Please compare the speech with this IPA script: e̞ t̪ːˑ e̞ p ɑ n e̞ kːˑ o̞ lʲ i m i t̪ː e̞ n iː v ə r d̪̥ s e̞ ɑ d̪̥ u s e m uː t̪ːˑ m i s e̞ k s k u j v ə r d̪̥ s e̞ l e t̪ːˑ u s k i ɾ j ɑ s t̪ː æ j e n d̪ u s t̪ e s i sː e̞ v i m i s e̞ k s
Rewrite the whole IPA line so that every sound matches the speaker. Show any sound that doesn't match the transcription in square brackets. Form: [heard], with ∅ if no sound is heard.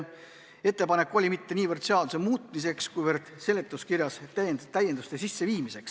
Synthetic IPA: e̞ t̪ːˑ e̞ p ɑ n e̞ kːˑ o̞ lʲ i m i t̪ː e̞ n iː v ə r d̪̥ s e̞ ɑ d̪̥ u s e m uː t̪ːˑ m i s e̞ k s k u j v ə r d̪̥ s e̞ l e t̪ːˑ u s k i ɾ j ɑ s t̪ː æ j e n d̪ u s t̪ e s i sː e̞ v [iː] m i s e̞ k s